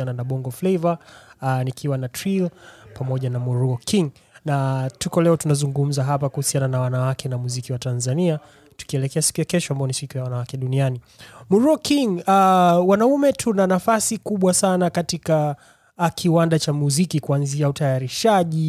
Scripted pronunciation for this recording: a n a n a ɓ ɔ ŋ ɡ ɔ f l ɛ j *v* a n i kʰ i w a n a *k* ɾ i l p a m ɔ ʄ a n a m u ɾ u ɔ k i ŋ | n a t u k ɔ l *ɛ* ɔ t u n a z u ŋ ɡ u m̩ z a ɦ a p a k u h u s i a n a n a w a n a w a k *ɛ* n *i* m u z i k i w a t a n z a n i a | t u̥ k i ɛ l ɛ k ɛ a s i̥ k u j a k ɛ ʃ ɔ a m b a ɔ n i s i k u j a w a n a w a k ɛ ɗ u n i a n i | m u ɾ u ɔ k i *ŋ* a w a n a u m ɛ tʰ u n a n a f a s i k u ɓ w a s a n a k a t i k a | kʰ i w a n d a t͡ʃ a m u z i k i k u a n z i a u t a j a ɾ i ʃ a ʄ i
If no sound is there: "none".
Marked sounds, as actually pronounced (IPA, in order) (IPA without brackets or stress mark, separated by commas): v, t, ɛ, ɛ, a, ŋ